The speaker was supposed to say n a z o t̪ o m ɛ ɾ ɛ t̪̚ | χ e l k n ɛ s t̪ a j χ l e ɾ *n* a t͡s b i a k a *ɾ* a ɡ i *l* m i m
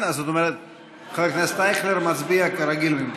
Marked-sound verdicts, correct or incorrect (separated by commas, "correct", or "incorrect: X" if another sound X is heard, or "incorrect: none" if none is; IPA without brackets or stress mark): incorrect: m, correct, correct